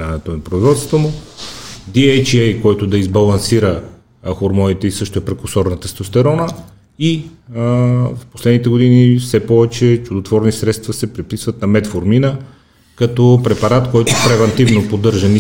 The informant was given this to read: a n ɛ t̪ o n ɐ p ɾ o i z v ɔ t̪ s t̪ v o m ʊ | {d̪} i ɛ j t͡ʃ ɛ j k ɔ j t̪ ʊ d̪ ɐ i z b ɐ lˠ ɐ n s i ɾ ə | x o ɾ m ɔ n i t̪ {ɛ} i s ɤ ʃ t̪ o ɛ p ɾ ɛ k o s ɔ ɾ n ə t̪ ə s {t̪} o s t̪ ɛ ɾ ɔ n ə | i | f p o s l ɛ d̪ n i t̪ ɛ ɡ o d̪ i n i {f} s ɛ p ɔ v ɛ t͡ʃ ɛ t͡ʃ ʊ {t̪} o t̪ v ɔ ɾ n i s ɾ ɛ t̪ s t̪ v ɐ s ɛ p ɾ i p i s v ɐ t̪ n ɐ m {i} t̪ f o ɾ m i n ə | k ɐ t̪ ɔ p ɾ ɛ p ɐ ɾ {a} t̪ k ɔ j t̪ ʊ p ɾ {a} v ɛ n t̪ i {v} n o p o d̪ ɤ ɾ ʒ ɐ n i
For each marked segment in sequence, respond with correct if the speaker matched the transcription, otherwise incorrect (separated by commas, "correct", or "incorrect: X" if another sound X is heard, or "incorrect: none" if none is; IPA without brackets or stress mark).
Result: correct, correct, correct, correct, incorrect: d̪, incorrect: ɛ, correct, incorrect: ɛ, correct